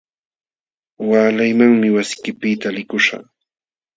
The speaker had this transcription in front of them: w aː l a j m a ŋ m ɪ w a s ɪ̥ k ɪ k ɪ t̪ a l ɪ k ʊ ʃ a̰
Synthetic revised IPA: w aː l a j m a ŋ m ɪ w a s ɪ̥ k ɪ p ɪ t̪ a l ɪ k ʊ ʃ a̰